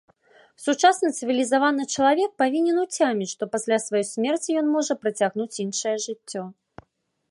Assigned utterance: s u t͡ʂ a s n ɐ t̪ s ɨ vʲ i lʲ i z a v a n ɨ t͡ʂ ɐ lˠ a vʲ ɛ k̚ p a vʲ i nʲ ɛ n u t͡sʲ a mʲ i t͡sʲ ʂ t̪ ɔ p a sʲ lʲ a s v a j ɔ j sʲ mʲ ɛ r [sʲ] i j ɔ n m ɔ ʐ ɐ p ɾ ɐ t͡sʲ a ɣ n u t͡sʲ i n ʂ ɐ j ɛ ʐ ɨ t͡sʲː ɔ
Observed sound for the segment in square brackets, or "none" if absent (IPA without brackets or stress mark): t͡sʲ